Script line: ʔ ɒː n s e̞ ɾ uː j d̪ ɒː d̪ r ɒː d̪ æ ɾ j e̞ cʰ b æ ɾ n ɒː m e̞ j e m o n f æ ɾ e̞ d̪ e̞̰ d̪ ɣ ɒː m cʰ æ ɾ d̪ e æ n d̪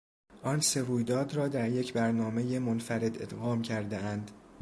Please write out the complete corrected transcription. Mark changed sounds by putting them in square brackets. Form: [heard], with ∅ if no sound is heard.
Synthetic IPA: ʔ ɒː n s e̞ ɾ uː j d̪ ɒː d̪ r ɒː d̪ æ ɾ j e̞ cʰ b æ ɾ n ɒː m e̞ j e m o n f æ ɾ e̞ d̪ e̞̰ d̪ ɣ ɒː m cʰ æ ɾ d̪ e æ n d̪